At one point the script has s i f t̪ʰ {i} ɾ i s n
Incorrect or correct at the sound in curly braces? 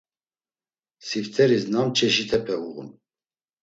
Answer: incorrect: ɛ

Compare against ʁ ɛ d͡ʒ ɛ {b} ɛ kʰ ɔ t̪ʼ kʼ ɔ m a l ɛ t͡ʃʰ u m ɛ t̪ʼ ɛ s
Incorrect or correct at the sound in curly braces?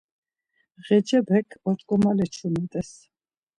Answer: correct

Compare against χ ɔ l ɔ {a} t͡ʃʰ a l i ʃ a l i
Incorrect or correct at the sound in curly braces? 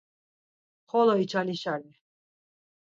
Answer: incorrect: i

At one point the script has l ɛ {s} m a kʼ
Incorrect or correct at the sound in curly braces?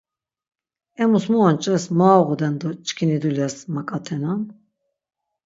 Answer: correct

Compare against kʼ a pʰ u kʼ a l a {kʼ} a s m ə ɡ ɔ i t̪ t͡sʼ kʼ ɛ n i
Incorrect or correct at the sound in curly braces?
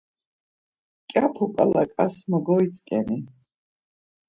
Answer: correct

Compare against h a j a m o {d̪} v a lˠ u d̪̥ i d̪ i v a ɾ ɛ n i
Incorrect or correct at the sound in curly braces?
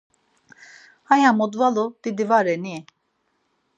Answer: correct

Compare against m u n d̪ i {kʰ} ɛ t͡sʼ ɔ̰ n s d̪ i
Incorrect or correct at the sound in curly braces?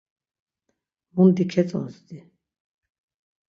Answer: correct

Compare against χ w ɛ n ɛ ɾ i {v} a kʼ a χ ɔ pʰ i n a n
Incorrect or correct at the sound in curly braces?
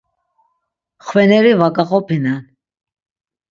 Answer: correct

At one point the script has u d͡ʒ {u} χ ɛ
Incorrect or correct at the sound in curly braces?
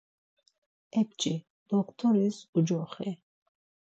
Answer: incorrect: ɔ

